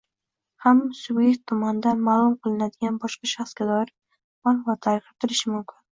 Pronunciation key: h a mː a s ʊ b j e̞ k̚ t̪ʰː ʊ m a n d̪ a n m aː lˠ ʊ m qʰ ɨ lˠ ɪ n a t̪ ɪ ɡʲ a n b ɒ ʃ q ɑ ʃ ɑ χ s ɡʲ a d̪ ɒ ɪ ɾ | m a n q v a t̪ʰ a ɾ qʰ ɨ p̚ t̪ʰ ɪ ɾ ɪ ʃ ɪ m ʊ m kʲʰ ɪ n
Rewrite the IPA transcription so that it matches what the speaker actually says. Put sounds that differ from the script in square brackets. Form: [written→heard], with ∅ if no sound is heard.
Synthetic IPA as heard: h a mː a s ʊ b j e̞ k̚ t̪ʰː ʊ m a n d̪ a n m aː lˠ ʊ m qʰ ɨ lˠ ɪ n a [t̪→d̪] ɪ ɡʲ a n b ɒ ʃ q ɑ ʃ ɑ χ s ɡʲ a d̪ ɒ ɪ ɾ | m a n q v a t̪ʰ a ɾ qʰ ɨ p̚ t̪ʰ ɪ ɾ ɪ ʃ ɪ m ʊ m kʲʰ ɪ n